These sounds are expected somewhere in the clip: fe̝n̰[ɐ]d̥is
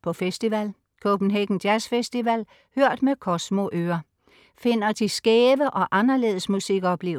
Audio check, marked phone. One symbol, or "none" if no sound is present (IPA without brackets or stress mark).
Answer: ɐ